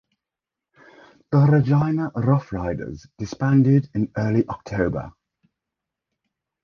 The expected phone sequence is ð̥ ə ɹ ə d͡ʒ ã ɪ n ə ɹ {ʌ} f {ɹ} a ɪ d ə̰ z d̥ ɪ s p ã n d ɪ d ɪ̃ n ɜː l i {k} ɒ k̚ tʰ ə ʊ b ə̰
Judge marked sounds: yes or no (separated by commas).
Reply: yes, yes, no